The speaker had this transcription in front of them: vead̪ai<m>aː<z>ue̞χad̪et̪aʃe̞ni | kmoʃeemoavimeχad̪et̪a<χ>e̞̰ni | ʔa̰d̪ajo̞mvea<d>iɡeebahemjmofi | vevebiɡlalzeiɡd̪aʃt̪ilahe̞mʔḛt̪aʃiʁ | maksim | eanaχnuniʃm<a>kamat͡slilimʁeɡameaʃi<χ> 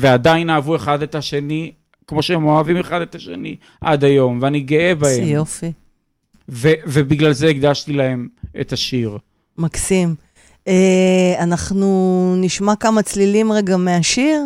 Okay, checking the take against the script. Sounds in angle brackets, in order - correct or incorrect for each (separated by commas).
incorrect, incorrect, incorrect, incorrect, correct, incorrect